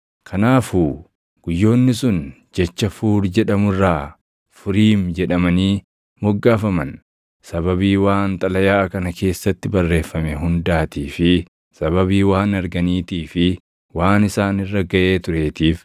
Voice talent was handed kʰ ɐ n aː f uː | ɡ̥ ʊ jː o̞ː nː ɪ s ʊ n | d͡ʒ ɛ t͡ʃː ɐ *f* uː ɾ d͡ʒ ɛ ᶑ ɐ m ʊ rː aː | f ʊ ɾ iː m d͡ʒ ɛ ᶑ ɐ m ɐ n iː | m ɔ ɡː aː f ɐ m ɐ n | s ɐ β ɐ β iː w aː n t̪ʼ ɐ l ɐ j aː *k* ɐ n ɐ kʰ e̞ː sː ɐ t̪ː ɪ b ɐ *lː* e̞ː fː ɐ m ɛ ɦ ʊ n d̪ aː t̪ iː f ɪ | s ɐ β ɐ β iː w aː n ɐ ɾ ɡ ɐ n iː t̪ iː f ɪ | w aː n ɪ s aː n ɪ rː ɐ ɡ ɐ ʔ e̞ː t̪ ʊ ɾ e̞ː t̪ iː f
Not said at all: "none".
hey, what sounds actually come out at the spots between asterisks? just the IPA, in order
f, k, rː

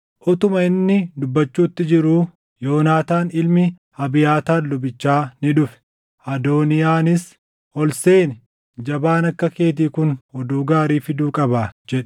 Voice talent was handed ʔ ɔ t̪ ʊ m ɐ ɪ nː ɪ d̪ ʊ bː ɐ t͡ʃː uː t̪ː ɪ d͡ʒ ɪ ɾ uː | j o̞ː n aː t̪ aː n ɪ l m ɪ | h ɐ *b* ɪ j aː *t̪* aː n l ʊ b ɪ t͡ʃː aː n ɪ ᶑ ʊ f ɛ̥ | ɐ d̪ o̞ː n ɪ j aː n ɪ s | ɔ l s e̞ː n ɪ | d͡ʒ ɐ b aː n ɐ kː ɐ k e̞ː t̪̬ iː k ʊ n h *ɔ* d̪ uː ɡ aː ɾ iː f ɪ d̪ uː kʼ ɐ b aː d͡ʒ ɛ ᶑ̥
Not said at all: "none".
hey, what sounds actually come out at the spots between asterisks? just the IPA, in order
b, t̪, ɔ

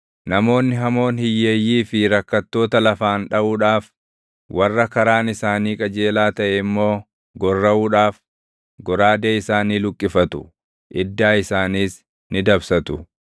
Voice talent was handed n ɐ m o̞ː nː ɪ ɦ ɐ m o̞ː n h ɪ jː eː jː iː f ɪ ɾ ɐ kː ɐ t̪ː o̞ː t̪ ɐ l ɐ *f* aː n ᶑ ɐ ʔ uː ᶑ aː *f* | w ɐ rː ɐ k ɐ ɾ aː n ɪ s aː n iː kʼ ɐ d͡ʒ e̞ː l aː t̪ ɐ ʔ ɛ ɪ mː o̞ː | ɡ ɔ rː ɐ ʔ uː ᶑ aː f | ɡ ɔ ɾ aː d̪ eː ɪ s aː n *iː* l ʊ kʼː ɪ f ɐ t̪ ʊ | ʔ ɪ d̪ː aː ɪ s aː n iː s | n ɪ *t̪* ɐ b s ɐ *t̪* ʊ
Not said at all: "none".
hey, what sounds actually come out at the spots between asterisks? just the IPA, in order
f, f, iː, d̪, t̪

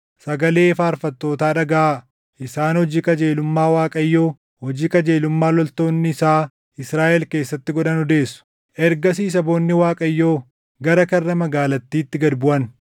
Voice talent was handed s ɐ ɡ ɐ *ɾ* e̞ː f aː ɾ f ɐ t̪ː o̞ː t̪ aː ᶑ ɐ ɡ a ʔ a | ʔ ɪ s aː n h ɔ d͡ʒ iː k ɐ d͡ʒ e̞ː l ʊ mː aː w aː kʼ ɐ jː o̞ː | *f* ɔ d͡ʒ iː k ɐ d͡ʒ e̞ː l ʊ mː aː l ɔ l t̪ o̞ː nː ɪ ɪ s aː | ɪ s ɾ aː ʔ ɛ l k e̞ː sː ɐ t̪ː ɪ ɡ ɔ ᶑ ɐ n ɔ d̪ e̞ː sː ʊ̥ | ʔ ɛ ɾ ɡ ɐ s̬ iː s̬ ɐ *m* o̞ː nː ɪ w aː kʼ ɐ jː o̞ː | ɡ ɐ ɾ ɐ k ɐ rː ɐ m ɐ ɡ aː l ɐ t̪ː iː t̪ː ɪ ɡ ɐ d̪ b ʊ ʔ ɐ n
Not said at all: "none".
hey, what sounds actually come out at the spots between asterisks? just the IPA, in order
l, h, b

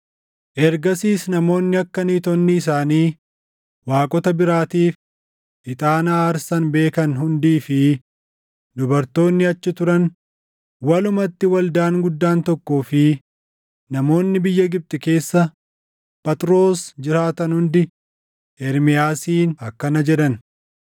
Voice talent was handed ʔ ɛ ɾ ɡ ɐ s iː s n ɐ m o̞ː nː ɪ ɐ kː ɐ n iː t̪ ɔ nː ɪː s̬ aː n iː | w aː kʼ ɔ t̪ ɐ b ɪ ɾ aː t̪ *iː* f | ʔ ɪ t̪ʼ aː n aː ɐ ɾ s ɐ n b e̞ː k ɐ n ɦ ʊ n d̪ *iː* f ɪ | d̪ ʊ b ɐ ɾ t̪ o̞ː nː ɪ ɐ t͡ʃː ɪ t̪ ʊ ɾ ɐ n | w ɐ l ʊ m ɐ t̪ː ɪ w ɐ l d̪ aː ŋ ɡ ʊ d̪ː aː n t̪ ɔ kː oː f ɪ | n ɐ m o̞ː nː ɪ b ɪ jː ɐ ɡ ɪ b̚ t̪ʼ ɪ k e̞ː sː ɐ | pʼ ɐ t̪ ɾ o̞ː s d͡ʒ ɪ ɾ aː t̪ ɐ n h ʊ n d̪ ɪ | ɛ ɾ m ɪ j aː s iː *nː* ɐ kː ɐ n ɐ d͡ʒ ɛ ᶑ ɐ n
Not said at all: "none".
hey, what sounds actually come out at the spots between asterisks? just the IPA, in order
iː, iː, n

